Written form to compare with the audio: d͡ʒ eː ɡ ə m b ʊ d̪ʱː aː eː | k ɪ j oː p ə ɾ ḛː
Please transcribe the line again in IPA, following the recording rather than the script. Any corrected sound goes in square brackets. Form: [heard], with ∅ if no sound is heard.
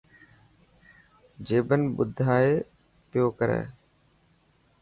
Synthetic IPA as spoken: d͡ʒ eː [b] ə [n] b ʊ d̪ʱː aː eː | [p] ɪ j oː [k] ə ɾ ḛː